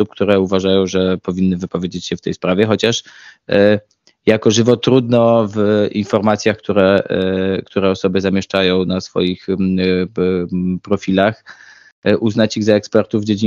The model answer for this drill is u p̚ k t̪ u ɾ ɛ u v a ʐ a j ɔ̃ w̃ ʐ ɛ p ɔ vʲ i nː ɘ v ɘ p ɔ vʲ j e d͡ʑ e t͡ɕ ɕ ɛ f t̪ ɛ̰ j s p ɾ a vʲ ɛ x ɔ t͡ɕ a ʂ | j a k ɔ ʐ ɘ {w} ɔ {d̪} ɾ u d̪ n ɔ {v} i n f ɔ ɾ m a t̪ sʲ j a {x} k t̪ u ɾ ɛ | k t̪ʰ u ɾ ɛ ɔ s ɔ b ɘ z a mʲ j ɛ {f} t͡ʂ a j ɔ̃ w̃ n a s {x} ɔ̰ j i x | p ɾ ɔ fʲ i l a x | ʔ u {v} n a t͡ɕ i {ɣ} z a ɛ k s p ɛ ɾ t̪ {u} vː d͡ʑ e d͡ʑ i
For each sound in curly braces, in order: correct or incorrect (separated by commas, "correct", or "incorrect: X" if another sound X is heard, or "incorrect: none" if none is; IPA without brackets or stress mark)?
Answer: incorrect: v, incorrect: t̪, correct, correct, incorrect: ʂ, incorrect: f, incorrect: z, correct, correct